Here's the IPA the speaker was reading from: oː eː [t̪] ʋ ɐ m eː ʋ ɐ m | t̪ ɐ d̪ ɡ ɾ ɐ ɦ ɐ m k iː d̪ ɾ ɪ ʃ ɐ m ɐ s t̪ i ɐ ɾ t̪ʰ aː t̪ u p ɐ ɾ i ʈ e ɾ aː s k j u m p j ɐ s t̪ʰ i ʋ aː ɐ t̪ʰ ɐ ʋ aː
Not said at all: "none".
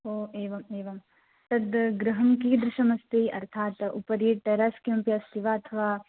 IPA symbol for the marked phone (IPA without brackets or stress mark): none